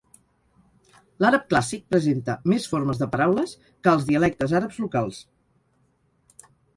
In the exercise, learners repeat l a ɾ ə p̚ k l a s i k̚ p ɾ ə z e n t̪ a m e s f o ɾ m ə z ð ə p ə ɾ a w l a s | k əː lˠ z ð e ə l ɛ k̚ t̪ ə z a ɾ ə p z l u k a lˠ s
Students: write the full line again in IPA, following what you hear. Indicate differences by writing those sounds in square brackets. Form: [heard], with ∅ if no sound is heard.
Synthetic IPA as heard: l a ɾ ə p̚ k l a s i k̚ p ɾ ə z e n t̪ [ə] m e s f o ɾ m ə z ð ə p ə ɾ a w l [ə] s | k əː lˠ z ð [i] ə l ɛ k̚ t̪ ə z a ɾ ə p z l u k a lˠ s